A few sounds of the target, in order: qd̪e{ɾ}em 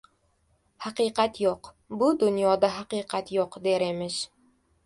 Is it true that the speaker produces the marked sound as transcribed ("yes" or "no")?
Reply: yes